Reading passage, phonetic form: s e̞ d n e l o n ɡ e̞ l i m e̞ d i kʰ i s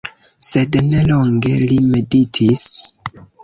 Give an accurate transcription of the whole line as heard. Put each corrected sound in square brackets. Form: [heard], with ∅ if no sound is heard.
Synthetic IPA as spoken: s e̞ d n e l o [ŋ] ɡ e̞ l i m e̞ d i [tʰ] i s